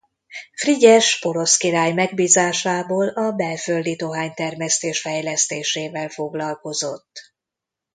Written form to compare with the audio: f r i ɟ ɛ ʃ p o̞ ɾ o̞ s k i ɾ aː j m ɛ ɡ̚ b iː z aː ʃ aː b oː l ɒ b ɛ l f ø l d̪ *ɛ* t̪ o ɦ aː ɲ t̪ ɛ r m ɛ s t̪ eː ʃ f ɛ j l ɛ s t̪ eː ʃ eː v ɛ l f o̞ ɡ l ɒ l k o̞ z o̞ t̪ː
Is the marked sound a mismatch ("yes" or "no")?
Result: yes